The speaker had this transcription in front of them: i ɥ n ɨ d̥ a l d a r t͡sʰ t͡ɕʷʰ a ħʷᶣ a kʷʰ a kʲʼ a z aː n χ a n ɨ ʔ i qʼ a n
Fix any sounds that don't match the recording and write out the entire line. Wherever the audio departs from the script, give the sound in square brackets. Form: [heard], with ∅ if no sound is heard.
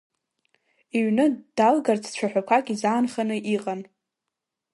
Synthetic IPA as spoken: i ɥ n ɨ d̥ a l [ɡ] a r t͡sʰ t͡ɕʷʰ a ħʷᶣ a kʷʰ a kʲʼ [i] z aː n χ a n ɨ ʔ i qʼ a n